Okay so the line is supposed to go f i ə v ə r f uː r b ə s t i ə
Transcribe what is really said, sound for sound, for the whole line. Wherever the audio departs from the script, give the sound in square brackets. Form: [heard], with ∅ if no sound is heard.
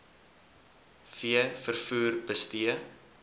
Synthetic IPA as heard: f i ə [f] ə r f uː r b ə s t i ə